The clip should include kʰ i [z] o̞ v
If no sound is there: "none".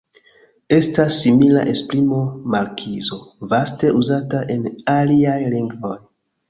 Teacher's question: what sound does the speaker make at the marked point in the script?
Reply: z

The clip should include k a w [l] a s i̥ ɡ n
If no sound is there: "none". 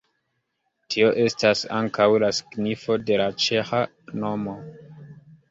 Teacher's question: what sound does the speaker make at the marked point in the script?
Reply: l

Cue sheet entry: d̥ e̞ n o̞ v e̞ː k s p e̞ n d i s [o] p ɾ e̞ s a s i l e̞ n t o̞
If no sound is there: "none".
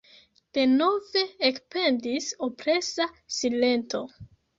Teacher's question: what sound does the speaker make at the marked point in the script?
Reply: o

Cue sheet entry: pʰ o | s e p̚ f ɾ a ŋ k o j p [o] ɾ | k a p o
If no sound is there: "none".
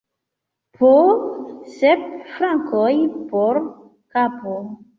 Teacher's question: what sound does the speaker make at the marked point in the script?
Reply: o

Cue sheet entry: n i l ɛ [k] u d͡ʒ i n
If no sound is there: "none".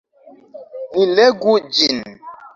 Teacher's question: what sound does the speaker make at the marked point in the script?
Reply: ɡ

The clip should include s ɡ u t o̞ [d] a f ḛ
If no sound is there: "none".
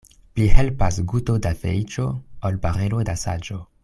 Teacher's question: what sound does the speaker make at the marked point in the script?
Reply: d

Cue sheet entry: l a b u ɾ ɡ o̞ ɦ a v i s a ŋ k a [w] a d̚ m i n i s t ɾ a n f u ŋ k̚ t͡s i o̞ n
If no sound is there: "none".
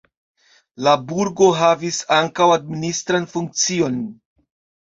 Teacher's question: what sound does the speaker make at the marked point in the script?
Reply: w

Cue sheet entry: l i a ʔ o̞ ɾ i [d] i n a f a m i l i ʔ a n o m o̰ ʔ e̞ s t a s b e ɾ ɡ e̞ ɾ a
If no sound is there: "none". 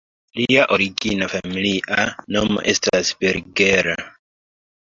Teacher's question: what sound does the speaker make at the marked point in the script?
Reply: ɡ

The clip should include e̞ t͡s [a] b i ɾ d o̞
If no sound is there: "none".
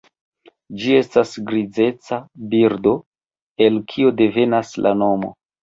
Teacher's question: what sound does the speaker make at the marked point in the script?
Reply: a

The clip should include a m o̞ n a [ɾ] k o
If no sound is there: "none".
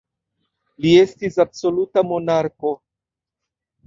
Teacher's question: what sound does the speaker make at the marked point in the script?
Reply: ɾ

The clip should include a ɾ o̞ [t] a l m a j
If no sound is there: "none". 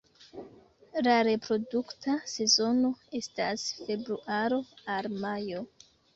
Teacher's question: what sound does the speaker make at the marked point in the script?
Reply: none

